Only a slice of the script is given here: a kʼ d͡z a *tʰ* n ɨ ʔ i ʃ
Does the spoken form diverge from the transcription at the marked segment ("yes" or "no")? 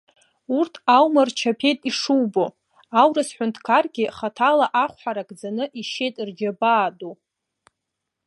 yes